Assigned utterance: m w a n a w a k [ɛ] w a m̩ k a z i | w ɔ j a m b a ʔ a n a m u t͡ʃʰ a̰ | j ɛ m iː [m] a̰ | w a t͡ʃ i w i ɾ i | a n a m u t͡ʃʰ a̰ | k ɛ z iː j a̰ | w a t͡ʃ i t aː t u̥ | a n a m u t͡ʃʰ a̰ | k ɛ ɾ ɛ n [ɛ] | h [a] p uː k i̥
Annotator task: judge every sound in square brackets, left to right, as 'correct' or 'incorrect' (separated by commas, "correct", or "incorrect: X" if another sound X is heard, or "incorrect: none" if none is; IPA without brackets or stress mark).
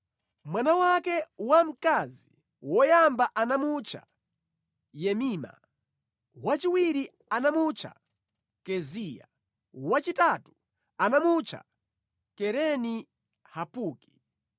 correct, correct, incorrect: i, correct